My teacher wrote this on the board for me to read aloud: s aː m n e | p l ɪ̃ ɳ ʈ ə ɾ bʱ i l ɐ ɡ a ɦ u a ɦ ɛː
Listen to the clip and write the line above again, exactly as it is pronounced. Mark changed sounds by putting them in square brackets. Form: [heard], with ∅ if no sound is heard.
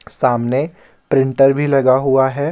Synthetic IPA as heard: s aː m n e | p [ɾ] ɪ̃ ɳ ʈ ə ɾ bʱ i l ɐ ɡ a ɦ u a ɦ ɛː